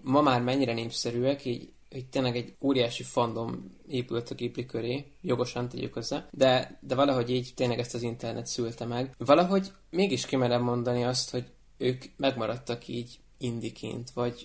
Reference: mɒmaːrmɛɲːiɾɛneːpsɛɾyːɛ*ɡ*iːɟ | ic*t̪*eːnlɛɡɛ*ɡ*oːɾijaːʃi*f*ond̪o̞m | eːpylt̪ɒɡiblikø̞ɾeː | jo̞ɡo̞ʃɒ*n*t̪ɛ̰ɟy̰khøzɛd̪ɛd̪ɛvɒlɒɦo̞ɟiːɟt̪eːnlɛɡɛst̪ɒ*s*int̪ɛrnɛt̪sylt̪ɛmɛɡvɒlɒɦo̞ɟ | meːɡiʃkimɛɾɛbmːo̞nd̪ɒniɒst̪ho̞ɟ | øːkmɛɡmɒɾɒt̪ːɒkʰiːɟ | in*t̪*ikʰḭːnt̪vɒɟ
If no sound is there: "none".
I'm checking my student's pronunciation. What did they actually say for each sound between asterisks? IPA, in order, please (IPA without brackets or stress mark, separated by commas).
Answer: k, t̪, ɟ, f, n, z, d̪